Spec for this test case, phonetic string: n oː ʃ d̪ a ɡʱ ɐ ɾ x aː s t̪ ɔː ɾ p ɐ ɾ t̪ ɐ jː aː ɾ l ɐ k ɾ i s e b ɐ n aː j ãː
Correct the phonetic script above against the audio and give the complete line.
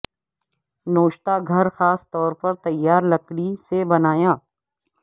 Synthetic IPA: n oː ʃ t̪ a ɡʱ ɐ ɾ x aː s t̪ ɔː ɾ p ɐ ɾ t̪ ɐ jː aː ɾ l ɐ k ɽ i s e b ɐ n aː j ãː

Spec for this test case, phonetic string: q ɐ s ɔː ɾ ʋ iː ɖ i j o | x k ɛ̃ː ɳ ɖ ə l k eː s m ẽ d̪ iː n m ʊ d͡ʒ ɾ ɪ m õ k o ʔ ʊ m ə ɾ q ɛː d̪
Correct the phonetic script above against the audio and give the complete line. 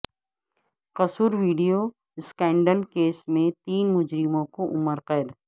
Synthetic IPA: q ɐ s uː ɾ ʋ iː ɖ i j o | s k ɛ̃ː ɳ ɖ ə l k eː s m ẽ t̪ iː n m ʊ d͡ʒ ɾ ɪ m õ k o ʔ ʊ m ə ɾ q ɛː d̪

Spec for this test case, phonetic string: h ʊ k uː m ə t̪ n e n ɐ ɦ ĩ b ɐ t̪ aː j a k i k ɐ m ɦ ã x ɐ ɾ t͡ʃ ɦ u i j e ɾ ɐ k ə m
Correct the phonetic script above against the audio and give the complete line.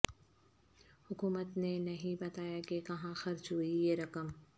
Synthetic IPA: h ʊ k uː m ə t̪ n e n ɐ ɦ ĩ b ɐ t̪ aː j a k e k ɐ ɦ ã x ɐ ɾ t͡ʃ ɦ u i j e ɾ ɐ k ə m

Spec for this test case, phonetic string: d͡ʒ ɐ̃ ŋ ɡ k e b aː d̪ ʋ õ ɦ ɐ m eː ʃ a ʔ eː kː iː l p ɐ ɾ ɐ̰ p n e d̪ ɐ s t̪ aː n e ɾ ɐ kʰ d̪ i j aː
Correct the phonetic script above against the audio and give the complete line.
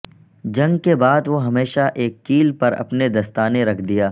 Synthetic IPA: d͡ʒ ɐ̃ ŋ ɡ k e b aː d̪ ʋ o ɦ ɐ m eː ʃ a ʔ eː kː iː l p ɐ ɾ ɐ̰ p n e d̪ ɐ s t̪ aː n e ɾ ɐ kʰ d̪ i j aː

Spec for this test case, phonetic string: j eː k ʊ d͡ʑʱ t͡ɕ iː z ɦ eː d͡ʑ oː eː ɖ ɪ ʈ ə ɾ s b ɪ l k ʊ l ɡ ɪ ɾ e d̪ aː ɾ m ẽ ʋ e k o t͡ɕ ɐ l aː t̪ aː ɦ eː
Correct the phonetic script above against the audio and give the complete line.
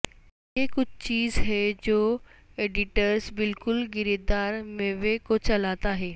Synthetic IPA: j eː k ʊ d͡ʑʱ t͡ɕ iː z ɦ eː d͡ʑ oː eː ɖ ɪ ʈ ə ɾ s b ɪ l k ʊ l ɡ ɪ ɾ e d̪ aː ɾ m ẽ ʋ e k o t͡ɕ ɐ l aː t̪ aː ɦ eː

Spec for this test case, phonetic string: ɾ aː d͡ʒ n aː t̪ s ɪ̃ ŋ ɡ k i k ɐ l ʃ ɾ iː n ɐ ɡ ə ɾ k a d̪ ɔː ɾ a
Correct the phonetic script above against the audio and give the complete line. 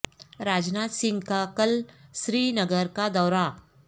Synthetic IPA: ɾ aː d͡ʒ n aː t̪ s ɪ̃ ŋ ɡ k a k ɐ l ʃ ɾ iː n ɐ ɡ ə ɾ k a d̪ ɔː ɾ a

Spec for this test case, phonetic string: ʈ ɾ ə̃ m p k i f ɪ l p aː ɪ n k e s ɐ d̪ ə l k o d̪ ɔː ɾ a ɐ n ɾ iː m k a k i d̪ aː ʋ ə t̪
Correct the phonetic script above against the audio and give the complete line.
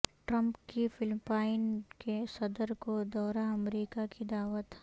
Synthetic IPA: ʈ ɾ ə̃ m p k i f ɪ l p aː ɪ n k e s ɐ d̪ ə ɾ k o d̪ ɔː ɾ a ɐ m ɾ iː k a k i d̪ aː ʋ ə t̪

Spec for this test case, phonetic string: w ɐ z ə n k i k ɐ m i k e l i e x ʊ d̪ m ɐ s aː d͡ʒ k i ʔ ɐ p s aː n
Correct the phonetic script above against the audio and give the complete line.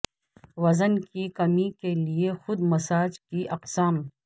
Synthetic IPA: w ɐ z ə n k i k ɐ m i k e l i e x ʊ d̪ m ɐ s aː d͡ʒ k i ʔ ɐ q s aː m

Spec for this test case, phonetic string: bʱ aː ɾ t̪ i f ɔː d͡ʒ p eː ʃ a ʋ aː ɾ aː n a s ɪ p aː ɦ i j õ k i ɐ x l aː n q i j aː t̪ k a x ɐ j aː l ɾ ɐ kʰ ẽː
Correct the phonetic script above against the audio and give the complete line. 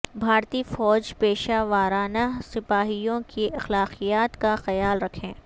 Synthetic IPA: bʱ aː ɾ t̪ i f ɔː d͡ʒ p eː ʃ a ʋ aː ɾ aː n a s ɪ p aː ɦ i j õ k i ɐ x l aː q i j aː t̪ k a x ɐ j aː l ɾ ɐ kʰ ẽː

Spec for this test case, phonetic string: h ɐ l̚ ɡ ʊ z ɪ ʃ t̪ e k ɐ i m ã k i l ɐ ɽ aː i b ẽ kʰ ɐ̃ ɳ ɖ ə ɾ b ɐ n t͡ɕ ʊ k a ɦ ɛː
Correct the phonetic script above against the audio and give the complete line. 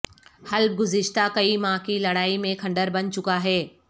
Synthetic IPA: h ɐ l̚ ɡ ʊ z ɪ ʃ t̪ a k ɐ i m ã k i l ɐ ɽ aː i m ẽ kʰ ɐ̃ ɳ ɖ ə ɾ b ɐ n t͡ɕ ʊ k a ɦ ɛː

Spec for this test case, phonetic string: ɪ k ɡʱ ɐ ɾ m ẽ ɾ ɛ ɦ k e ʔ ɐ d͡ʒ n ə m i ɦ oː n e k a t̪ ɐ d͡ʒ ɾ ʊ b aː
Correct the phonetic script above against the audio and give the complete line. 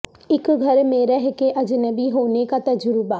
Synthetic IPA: ɪ k ɡʱ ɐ ɾ m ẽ ɾ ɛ ɦ k e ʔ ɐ d͡ʒ n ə b i ɦ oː n e k a t̪ ɐ d͡ʒ ɾ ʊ b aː

